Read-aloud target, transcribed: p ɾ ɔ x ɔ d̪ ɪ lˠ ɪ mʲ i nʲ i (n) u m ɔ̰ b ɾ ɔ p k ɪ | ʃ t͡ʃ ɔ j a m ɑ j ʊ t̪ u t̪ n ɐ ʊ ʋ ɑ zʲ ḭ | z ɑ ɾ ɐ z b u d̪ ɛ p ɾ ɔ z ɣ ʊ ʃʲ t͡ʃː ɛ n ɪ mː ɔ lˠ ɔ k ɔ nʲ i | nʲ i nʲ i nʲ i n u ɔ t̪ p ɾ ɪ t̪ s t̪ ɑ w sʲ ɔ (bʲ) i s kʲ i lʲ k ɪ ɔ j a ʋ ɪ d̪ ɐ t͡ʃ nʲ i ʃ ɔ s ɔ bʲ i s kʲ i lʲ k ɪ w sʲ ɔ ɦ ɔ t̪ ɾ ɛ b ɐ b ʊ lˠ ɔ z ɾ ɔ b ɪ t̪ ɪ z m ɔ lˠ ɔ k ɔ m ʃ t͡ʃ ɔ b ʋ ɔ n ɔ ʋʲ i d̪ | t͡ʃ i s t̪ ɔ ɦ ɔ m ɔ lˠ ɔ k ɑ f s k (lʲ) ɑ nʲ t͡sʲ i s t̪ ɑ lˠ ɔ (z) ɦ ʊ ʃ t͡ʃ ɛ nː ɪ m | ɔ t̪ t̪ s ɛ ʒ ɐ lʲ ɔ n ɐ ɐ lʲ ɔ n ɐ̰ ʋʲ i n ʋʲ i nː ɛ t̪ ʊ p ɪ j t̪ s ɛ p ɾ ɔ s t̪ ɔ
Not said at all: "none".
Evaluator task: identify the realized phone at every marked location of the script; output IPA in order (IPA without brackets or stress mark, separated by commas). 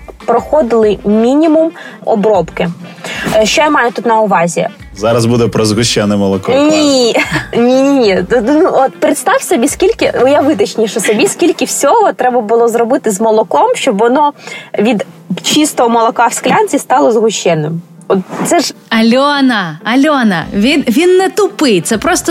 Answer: m, bʲ, lʲ, z